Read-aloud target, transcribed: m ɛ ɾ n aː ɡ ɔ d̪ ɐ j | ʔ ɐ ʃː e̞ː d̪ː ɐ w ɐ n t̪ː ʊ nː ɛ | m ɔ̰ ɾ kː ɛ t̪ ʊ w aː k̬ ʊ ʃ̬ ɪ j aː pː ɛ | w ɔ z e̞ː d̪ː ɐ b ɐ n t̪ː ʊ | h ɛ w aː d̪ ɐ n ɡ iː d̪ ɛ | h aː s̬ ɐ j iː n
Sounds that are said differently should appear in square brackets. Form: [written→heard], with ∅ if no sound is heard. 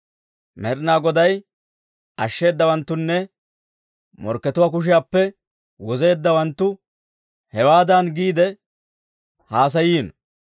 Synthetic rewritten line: m ɛ ɾ n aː ɡ ɔ d̪ ɐ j | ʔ ɐ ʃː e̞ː d̪ː ɐ w ɐ n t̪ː ʊ nː ɛ | m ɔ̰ ɾ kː ɛ t̪ ʊ w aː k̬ ʊ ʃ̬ ɪ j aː pː ɛ | w ɔ z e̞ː d̪ː ɐ [b→w] ɐ n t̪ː ʊ | h ɛ w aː d̪ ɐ n ɡ iː d̪ ɛ | h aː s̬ ɐ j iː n

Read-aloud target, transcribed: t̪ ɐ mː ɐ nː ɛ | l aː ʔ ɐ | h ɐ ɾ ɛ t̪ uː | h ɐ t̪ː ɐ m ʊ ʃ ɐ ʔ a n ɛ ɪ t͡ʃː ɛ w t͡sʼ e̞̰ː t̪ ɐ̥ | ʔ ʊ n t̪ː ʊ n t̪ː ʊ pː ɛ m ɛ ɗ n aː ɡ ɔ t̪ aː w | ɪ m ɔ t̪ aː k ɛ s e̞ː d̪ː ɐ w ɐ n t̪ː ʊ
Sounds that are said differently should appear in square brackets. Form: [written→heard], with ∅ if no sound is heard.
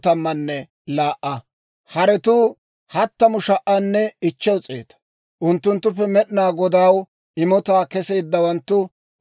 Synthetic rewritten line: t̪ ɐ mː ɐ nː ɛ | l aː ʔ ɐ | h ɐ ɾ ɛ t̪ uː | h ɐ t̪ː ɐ m ʊ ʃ ɐ ʔ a [n→nː] ɛ ɪ t͡ʃː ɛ w t͡sʼ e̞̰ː t̪ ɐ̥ | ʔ ʊ n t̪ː ʊ n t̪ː ʊ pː ɛ m ɛ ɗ n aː ɡ ɔ [t̪→d̪] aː w | ɪ m ɔ t̪ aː k ɛ s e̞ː d̪ː ɐ w ɐ n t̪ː ʊ

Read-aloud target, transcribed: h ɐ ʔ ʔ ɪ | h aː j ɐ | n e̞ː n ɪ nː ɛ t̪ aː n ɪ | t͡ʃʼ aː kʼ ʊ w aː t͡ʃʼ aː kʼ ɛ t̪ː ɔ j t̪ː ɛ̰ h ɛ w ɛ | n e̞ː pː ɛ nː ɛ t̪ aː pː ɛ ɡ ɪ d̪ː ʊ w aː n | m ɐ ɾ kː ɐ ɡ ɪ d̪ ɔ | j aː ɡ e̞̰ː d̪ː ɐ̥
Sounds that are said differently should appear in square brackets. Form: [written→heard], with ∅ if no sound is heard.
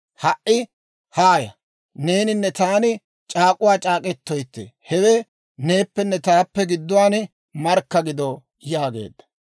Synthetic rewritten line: h ɐ ʔ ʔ ɪ | h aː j ɐ | n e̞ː n ɪ nː ɛ t̪ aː n ɪ | t͡ʃʼ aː kʼ ʊ w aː t͡ʃʼ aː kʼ ɛ t̪ː ɔ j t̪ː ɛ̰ h ɛ w ɛ | n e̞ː pː ɛ nː ɛ t̪ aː pː ɛ ɡ ɪ d̪ː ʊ w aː n | m ɐ ɾ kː ɐ ɡ ɪ d̪ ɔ | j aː ɡ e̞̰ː d̪ː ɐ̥

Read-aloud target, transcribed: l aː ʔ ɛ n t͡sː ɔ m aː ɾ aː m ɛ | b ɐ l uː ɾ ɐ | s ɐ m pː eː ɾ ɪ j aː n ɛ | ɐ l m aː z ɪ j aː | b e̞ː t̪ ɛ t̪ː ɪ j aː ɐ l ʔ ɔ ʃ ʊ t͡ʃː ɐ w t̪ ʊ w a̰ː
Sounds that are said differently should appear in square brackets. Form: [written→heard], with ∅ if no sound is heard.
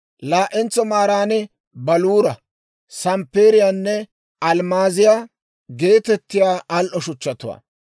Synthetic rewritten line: l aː ʔ ɛ n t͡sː ɔ m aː ɾ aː [m→n] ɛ | b ɐ l uː ɾ ɐ | s ɐ m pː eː ɾ ɪ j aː [n→nː] ɛ | ɐ l m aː z ɪ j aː | [b→ɡ] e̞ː t̪ ɛ t̪ː ɪ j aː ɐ l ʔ ɔ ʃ ʊ t͡ʃː ɐ [w→∅] t̪ ʊ w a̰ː

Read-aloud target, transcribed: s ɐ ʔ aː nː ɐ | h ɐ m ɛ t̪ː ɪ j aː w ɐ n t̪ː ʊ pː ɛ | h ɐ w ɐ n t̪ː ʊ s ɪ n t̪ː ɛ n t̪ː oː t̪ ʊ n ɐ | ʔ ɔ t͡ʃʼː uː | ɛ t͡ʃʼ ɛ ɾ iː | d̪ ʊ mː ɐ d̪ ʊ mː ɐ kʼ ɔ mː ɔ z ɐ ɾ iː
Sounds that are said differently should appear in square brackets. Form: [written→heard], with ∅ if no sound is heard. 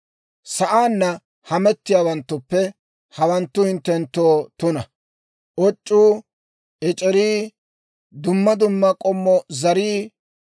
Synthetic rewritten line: s ɐ ʔ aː nː ɐ | h ɐ m ɛ t̪ː ɪ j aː w ɐ n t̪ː ʊ pː ɛ | h ɐ w ɐ n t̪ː ʊ [s→h] ɪ n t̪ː ɛ n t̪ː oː t̪ ʊ n ɐ | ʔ ɔ t͡ʃʼː uː | ɛ t͡ʃʼ ɛ ɾ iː | d̪ ʊ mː ɐ d̪ ʊ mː ɐ kʼ ɔ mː ɔ z ɐ ɾ iː

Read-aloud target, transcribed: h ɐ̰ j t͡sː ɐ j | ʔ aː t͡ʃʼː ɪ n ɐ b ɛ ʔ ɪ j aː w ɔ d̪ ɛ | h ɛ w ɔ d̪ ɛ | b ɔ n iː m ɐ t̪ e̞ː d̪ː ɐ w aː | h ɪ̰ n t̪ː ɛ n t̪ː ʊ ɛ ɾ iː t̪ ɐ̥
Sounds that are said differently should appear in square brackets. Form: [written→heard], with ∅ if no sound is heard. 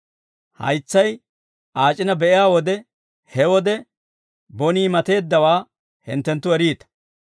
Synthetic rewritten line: h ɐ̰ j t͡sː ɐ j | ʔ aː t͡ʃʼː ɪ n ɐ b ɛ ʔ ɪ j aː w ɔ d̪ ɛ | h ɛ w ɔ d̪ ɛ | b ɔ n iː m ɐ t̪ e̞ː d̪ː ɐ w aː | h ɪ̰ n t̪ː ɛ n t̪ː ʊ ɛ ɾ iː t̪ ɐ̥

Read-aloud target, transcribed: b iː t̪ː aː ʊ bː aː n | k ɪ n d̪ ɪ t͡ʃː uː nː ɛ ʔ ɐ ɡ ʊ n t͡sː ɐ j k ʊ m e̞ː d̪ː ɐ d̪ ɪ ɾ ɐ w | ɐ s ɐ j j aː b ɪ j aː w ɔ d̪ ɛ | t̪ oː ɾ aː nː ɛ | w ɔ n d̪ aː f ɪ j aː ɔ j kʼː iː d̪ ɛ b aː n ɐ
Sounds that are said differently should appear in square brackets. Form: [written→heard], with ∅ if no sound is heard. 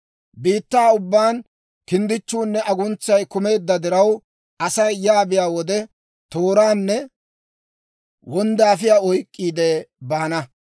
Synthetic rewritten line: b iː t̪ː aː ʊ bː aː n | k ɪ n d̪ ɪ t͡ʃː uː nː ɛ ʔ ɐ ɡ ʊ n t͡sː ɐ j k ʊ m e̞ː d̪ː ɐ d̪ ɪ ɾ ɐ w | ɐ s ɐ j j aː b ɪ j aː w ɔ d̪ ɛ | t̪ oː ɾ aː nː ɛ | w ɔ n d̪ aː f ɪ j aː ɔ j kʼː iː d̪ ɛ b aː n ɐ

